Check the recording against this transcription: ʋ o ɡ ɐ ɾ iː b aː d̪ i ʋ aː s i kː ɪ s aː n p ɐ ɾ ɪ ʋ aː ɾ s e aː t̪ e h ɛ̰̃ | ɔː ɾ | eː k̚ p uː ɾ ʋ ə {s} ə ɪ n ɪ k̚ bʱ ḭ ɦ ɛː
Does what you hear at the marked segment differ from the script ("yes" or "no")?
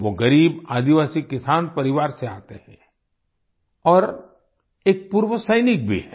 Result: no